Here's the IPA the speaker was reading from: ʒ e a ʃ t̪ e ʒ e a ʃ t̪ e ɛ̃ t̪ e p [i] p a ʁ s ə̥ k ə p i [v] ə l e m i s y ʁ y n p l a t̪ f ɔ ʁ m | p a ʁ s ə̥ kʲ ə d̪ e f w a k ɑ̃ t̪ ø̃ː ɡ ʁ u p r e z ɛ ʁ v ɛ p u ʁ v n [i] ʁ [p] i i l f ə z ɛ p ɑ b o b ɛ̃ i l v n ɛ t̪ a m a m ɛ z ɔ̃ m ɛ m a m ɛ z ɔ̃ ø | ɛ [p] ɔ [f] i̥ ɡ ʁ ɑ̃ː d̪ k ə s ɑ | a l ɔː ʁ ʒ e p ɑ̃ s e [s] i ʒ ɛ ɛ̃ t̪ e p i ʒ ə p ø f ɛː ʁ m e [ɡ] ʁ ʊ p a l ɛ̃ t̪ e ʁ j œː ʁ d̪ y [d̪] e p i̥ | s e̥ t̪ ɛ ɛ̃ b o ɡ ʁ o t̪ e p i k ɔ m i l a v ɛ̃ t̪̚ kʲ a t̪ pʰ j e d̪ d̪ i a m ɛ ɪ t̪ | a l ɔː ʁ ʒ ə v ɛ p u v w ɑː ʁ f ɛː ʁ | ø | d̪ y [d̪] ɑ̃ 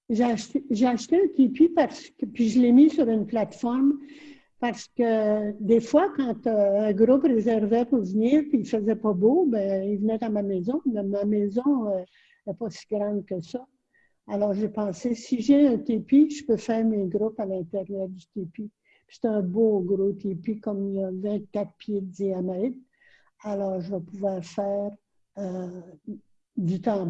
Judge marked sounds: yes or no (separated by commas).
yes, no, no, yes, yes, no, yes, yes, no, no